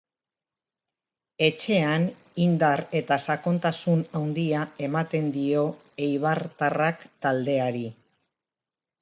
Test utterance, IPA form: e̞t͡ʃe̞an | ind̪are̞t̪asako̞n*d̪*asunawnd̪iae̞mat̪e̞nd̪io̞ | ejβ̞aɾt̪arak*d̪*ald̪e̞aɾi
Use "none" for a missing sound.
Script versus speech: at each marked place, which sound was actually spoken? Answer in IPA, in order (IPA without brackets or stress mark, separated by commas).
t̪, t̪